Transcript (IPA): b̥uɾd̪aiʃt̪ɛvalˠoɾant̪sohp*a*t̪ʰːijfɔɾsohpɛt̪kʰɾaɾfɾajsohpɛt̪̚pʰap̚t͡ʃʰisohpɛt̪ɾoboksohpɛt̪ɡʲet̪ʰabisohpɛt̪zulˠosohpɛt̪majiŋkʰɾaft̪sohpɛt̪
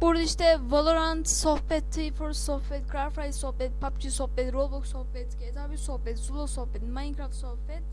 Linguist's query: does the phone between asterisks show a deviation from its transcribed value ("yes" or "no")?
yes